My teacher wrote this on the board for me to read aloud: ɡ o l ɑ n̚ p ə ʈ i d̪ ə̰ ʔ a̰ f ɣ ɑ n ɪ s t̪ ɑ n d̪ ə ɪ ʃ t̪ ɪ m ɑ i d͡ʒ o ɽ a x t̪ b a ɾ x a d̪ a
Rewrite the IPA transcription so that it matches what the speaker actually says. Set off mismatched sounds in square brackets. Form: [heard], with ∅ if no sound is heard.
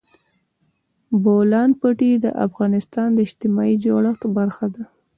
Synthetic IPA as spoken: [b] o l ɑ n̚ p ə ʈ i d̪ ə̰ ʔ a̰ f ɣ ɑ n ɪ s t̪ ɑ n d̪ ə ɪ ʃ t̪ ɪ m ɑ i d͡ʒ o ɽ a x t̪ b a ɾ x a d̪ a